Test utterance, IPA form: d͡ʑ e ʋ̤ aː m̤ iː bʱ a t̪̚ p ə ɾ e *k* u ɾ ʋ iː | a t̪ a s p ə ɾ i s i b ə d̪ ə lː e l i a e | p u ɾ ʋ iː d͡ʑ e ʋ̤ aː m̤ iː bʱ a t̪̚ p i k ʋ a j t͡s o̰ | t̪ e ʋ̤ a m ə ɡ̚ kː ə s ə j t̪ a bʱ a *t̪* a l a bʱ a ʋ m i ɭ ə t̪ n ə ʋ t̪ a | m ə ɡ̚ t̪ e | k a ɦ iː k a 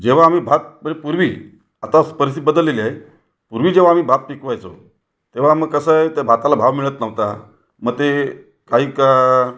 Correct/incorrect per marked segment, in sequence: incorrect, correct

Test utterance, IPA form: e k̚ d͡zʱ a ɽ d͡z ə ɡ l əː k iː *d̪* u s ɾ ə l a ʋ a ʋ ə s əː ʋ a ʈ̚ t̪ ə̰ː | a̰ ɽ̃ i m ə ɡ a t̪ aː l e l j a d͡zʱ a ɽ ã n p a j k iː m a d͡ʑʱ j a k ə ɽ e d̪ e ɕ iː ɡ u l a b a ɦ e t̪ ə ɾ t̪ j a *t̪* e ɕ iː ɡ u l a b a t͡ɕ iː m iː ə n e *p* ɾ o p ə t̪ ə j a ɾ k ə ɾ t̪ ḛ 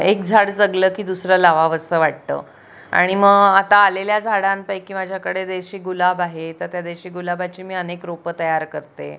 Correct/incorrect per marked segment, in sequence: correct, incorrect, incorrect

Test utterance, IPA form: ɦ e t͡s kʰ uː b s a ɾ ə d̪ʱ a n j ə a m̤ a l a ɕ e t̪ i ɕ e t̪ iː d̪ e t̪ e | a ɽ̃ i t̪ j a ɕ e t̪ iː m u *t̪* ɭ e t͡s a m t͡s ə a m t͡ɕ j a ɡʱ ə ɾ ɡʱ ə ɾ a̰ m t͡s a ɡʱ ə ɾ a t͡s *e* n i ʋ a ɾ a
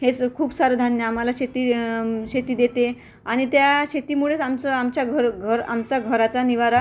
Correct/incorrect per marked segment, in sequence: incorrect, incorrect

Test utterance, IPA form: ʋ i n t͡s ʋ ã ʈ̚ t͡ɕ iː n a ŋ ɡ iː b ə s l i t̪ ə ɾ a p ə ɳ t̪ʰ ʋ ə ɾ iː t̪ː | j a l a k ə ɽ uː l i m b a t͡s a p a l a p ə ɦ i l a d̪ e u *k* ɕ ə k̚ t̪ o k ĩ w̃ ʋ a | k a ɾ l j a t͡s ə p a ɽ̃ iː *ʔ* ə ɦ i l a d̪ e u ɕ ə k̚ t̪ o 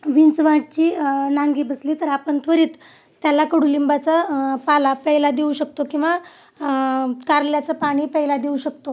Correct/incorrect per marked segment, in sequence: incorrect, incorrect

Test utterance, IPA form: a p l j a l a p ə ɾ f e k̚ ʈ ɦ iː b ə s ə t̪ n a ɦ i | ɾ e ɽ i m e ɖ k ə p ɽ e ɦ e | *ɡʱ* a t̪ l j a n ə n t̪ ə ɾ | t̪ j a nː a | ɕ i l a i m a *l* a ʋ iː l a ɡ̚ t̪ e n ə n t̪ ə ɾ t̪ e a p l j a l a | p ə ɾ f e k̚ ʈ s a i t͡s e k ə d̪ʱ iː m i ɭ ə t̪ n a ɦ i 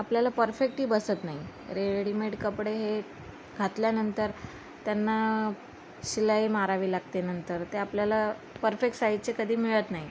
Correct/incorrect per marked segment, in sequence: correct, incorrect

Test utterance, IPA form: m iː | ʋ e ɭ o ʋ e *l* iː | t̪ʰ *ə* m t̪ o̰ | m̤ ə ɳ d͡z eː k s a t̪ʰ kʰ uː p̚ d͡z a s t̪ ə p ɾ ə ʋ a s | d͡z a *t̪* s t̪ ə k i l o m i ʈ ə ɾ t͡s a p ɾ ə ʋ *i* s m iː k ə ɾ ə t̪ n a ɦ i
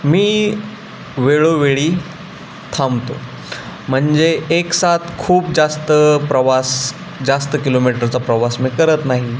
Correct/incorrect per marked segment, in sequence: incorrect, incorrect, incorrect, incorrect

